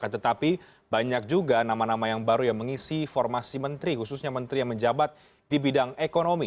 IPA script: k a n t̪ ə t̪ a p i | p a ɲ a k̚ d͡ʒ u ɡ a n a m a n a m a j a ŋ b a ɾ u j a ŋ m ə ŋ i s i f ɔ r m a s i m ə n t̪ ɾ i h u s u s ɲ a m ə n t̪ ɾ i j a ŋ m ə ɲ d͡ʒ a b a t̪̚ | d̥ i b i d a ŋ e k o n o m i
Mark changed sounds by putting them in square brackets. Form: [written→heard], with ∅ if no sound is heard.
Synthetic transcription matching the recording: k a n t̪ ə t̪ a p i | [p→b] a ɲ a k̚ d͡ʒ u ɡ a n a m a n a m a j a ŋ b a ɾ u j a ŋ m ə ŋ i s i f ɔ r m a s i m ə n t̪ ɾ i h u s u s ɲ a m ə n t̪ ɾ i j a ŋ m ə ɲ d͡ʒ a b a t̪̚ | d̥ i b i d a ŋ e k o n o m i

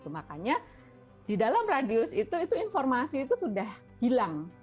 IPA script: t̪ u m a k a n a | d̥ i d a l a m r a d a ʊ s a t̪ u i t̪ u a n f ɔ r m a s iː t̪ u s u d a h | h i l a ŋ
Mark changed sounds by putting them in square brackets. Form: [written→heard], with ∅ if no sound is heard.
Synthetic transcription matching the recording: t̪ u m a k a [n→ɲ] a | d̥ i d a l a m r a d [a→i] ʊ s [a→i] t̪ u i t̪ u [a→i] n f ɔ r m a s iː t̪ u s u d a h | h i l a ŋ

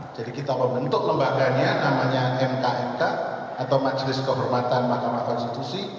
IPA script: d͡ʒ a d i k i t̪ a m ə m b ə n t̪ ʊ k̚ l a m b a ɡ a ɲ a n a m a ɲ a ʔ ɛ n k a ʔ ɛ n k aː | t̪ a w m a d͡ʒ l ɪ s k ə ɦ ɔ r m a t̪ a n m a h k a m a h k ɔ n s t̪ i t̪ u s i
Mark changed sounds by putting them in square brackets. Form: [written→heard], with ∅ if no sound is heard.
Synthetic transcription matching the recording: d͡ʒ a d i k i t̪ a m ə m b ə n t̪ ʊ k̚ l [a→ə] m b a ɡ a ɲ a n a m a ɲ a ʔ ɛ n k a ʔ ɛ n k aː | t̪ a w m a d͡ʒ l ɪ s k ə ɦ ɔ r m a t̪ a n m a h k a m a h k ɔ n s t̪ i t̪ u s i

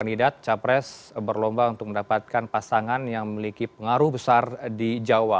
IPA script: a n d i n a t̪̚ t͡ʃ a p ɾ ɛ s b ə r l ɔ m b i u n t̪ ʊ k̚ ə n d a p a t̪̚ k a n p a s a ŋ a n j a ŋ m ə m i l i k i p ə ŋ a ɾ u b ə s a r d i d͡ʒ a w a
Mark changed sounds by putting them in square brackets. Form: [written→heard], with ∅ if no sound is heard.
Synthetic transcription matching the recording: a n d i [n→d] a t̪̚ t͡ʃ a p ɾ ɛ s b ə r l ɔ m b [i→a] u n t̪ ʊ k̚ ə n d a p a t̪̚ k a n p a s a ŋ a n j a ŋ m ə m i l i k i p ə ŋ a ɾ u b ə s a r d i d͡ʒ a w a

